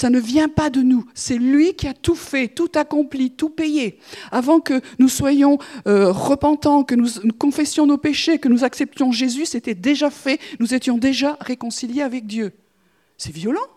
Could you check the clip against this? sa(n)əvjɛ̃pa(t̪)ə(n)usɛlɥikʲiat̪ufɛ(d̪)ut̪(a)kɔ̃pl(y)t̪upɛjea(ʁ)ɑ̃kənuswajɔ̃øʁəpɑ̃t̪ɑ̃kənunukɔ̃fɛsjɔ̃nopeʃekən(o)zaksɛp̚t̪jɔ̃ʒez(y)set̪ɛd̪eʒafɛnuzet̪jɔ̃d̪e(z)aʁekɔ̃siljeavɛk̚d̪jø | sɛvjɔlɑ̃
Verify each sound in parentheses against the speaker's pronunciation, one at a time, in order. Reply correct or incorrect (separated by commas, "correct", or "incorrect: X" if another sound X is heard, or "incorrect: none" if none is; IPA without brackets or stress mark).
correct, incorrect: d̪, correct, incorrect: t̪, correct, incorrect: i, incorrect: v, incorrect: u, correct, incorrect: ʒ